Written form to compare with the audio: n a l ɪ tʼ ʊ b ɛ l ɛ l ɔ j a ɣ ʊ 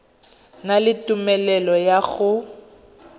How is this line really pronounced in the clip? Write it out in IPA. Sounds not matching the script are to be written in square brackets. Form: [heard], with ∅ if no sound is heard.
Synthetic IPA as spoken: n a l ɪ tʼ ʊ [m] ɛ l ɛ l ɔ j a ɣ ʊ